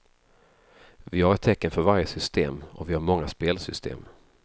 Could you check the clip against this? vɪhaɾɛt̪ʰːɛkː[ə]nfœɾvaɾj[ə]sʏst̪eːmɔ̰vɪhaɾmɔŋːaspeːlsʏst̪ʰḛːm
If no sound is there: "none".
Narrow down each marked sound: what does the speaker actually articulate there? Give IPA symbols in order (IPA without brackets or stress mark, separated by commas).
ə, ə